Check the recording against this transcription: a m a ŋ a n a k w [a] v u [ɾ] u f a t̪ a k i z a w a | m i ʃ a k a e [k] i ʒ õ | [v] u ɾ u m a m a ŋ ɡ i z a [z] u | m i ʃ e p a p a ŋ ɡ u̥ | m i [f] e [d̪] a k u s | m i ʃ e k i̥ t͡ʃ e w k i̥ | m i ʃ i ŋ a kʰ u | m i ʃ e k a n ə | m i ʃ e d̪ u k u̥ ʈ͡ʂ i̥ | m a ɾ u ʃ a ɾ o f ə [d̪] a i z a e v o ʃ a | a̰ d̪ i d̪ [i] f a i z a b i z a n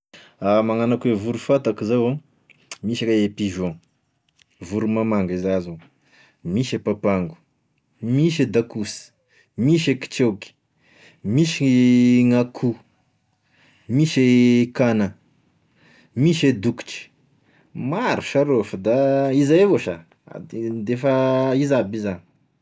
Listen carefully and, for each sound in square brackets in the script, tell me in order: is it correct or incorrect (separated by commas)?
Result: incorrect, correct, incorrect, correct, correct, incorrect, correct, correct, incorrect